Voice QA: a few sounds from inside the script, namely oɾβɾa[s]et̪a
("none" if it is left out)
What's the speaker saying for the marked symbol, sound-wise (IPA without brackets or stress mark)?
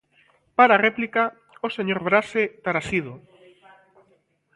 s